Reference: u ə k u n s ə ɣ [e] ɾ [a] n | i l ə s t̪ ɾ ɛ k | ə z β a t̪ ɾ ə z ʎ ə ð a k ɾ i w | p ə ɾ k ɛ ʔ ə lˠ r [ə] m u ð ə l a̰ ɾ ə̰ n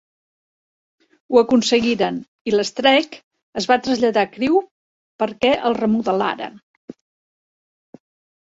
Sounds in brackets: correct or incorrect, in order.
incorrect: i, incorrect: ə, correct

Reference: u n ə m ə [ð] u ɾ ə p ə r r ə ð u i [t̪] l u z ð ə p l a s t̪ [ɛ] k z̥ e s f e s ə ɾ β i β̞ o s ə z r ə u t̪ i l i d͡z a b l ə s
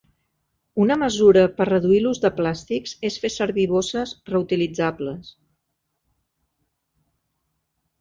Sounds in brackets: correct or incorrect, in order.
incorrect: z, incorrect: none, incorrect: i

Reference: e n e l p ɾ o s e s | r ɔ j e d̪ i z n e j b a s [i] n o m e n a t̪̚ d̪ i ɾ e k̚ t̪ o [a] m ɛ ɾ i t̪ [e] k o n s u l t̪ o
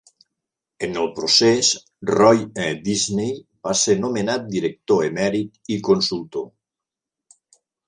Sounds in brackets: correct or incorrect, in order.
incorrect: e, incorrect: e, incorrect: i

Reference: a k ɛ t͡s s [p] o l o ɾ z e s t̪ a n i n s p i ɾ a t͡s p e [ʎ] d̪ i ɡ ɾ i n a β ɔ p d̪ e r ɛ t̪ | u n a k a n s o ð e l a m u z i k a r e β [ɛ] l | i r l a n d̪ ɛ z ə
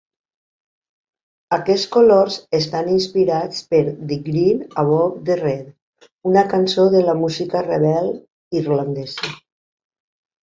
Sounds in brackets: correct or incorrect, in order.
incorrect: k, incorrect: ɾ, correct

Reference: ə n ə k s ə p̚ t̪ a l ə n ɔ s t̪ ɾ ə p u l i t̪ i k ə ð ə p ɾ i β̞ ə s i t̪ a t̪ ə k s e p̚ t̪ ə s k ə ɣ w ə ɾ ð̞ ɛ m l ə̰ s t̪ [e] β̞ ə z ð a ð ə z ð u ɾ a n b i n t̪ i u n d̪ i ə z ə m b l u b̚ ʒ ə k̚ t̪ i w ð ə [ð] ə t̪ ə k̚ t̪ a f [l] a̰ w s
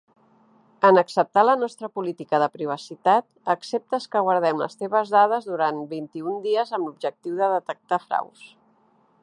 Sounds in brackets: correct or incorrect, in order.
correct, correct, incorrect: ɾ

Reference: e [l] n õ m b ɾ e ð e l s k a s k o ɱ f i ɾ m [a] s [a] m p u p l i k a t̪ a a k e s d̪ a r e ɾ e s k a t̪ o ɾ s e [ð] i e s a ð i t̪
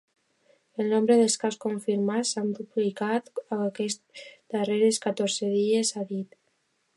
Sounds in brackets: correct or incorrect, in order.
correct, correct, correct, correct

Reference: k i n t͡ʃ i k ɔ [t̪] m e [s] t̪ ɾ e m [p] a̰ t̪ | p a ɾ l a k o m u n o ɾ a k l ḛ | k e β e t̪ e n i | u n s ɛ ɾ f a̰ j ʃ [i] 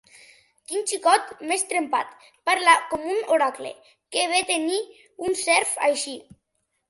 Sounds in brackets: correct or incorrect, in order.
correct, correct, correct, correct

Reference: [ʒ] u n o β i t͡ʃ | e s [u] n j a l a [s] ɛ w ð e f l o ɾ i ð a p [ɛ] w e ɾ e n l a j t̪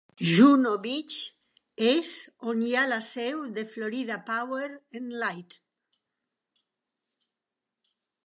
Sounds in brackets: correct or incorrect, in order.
correct, incorrect: o, correct, incorrect: a

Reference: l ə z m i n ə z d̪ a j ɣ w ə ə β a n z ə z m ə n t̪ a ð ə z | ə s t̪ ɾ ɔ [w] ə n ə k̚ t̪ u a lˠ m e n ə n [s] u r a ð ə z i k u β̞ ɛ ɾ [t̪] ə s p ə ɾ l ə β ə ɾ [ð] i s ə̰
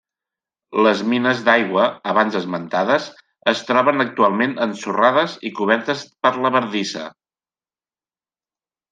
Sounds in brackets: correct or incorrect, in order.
incorrect: β, correct, correct, correct

